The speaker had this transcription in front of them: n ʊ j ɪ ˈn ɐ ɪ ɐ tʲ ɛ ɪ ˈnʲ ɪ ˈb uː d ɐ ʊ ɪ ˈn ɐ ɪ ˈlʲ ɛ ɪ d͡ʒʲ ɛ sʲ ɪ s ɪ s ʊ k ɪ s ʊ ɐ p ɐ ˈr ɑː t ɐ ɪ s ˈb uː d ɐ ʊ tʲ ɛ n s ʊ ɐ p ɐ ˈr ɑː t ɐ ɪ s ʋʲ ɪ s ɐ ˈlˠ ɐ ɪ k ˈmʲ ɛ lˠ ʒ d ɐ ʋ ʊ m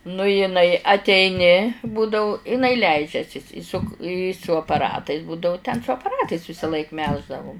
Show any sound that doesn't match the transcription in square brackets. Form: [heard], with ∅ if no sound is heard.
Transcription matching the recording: n ʊ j ɪ ˈn ɐ ɪ ɐ tʲ ɛ ɪ ˈnʲ ɪ ˈb uː d ɐ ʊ ɪ ˈn ɐ ɪ ˈlʲ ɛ ɪ d͡ʒʲ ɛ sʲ ɪ s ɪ s ʊ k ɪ s ʊ ɐ p ɐ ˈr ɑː t ɐ ɪ s ˈb uː d ɐ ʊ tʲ ɛ n s ʊ ɐ p ɐ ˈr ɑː t ɐ ɪ s ʋʲ ɪ s ɐ ˈlˠ ɐ ɪ k ˈmʲ ɛ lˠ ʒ d ɐ ʋ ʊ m